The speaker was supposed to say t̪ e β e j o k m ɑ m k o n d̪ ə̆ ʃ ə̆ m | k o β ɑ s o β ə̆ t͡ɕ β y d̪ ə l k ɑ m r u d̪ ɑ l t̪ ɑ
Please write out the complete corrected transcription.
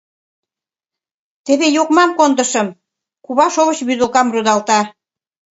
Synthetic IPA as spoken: t̪ e β e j o k m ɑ m k o n d̪ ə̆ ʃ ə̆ m | k u β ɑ ʃ o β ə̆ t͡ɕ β y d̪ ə l k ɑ m r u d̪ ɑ l t̪ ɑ